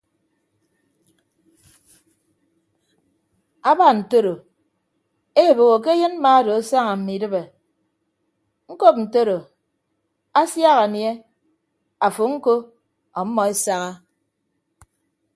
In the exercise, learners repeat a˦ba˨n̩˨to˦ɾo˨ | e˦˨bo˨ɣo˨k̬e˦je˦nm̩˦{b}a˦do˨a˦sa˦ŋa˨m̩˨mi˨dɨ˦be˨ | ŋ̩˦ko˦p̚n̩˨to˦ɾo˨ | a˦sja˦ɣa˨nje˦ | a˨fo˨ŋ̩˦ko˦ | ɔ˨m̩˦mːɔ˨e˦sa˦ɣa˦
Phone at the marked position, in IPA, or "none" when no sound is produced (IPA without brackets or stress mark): m